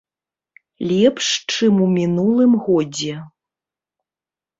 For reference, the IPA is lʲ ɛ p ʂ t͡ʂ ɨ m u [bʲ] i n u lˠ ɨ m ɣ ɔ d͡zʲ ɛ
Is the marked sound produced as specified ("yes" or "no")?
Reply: no